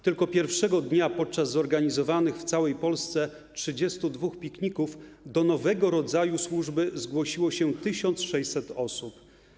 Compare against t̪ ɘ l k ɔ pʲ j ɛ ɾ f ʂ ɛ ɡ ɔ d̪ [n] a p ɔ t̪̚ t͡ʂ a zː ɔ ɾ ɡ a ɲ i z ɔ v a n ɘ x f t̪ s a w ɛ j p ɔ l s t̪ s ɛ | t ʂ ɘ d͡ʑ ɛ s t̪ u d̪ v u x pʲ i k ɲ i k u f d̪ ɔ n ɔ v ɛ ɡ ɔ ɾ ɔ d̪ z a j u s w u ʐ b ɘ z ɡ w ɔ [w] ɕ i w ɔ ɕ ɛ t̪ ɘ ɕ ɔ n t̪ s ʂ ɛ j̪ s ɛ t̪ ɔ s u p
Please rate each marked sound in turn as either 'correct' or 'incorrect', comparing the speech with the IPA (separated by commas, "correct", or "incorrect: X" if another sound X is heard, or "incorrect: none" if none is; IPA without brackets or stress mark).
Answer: incorrect: ɲ, incorrect: none